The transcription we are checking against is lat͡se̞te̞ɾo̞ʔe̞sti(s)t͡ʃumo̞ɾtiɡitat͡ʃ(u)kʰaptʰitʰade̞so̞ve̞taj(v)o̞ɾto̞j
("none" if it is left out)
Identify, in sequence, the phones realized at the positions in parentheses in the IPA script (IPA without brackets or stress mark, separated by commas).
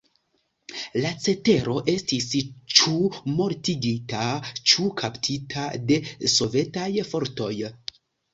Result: s, u, f